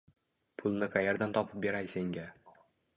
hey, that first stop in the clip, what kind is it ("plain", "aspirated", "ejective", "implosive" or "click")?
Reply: aspirated